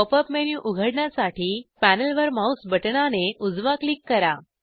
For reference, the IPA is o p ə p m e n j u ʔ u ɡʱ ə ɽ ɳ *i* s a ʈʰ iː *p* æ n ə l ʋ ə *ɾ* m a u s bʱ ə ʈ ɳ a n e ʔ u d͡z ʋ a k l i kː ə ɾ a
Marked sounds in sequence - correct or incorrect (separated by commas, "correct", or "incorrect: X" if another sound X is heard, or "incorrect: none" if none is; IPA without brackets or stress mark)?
incorrect: a, correct, correct